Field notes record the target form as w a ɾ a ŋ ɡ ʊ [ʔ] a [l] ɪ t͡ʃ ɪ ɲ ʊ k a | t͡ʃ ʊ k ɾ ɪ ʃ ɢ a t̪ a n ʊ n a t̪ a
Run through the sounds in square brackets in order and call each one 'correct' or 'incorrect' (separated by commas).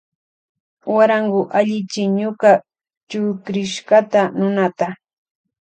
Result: correct, incorrect